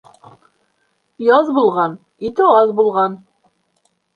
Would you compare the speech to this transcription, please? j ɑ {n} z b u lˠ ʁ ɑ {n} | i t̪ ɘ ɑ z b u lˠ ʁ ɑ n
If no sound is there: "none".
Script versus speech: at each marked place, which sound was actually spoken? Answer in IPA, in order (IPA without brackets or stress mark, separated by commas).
none, n